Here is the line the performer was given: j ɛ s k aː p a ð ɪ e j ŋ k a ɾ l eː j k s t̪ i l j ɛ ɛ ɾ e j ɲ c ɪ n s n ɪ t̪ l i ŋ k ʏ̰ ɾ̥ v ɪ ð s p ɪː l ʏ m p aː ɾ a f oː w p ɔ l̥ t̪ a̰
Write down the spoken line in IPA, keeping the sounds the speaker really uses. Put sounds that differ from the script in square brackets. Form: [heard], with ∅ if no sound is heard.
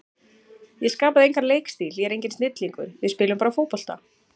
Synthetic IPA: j ɛ s k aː p a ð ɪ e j ŋ k a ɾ l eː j k s t̪ i l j ɛ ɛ ɾ e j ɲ c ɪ n s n ɪ t̪ l i ŋ k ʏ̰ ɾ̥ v ɪ ð s p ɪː l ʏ m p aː ɾ a f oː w p ɔ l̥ t̪ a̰